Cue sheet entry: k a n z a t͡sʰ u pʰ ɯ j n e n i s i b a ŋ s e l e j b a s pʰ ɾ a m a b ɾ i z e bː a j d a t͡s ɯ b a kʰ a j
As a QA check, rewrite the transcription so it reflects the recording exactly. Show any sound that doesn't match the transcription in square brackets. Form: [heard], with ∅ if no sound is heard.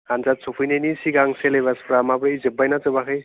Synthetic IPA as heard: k a n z a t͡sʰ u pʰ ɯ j n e n i s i [ɡ] a ŋ s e l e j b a s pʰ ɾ a m a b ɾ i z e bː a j [n] a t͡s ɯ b a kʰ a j